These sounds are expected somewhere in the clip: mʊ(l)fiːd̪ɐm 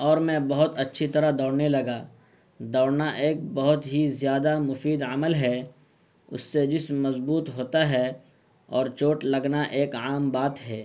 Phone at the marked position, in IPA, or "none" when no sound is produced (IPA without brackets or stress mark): none